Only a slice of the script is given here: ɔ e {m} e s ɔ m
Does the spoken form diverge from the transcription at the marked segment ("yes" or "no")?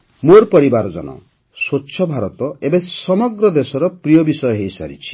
yes